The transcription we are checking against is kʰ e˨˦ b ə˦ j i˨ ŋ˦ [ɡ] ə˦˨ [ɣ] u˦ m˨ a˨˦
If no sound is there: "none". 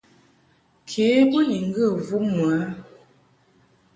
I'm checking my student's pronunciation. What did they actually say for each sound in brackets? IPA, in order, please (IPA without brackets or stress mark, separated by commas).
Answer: ɡ, v